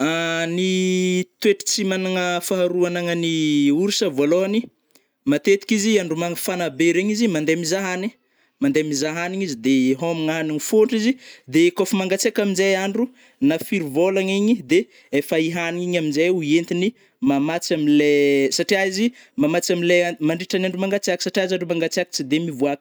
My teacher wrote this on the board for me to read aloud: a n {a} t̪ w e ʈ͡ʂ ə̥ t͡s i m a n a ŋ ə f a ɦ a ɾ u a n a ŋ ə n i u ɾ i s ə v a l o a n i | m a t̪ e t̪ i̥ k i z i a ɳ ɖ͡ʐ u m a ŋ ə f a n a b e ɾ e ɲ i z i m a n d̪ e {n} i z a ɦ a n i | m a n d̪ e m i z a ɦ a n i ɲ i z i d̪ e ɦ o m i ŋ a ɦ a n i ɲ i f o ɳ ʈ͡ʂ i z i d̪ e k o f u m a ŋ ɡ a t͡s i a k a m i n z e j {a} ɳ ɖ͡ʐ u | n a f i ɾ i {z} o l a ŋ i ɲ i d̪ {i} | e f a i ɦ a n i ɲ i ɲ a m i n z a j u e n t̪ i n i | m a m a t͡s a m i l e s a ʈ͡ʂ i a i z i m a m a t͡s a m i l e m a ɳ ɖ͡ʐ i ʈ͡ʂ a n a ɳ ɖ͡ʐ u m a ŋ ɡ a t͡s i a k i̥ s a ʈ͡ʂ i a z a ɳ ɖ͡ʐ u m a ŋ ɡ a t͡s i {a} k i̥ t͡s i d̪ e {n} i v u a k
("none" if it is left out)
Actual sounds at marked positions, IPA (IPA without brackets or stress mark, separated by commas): i, m, a, v, e, a, m